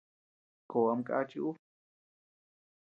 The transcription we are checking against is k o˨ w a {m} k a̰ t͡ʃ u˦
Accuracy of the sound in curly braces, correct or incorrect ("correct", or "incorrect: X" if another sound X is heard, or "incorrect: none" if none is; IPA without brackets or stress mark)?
correct